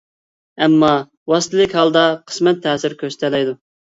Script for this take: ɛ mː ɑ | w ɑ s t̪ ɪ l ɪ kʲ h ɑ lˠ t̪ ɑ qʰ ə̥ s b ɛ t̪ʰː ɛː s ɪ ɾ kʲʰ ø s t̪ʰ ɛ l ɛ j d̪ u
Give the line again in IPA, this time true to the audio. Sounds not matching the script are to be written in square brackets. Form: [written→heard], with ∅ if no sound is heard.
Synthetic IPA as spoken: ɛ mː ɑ | w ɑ s t̪ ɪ l ɪ kʲ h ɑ lˠ [t̪→d̪] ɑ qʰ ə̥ s [b→m] ɛ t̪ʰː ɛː s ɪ ɾ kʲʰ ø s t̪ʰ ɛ l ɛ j d̪ u